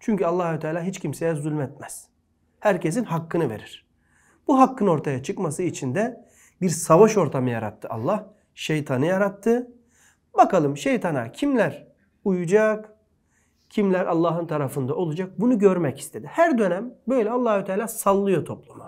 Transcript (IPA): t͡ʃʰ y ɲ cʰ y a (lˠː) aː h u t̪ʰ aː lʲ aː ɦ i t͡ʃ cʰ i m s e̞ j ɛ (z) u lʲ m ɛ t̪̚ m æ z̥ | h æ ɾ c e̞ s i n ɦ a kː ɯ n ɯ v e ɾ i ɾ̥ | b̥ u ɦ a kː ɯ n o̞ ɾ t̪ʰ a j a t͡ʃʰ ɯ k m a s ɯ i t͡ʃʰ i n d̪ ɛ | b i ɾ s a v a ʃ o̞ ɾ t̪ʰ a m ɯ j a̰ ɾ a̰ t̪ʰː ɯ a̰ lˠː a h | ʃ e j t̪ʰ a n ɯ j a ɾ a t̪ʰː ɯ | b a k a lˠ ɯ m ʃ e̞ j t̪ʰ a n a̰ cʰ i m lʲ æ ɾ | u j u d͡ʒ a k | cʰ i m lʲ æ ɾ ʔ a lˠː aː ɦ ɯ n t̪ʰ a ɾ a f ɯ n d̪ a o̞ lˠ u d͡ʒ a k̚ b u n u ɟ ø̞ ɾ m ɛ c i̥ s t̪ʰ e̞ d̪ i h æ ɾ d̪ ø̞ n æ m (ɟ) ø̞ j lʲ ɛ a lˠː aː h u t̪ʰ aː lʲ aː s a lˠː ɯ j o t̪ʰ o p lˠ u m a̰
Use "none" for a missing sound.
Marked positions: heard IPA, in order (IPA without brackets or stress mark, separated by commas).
lˠː, z, b